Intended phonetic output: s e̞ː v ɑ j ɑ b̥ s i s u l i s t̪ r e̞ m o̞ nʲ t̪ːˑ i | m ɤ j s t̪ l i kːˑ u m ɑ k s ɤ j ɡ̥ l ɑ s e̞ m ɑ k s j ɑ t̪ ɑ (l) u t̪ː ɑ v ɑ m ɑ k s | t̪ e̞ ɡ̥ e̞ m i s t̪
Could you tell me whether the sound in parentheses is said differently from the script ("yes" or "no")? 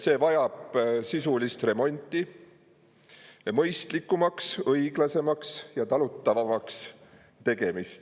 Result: no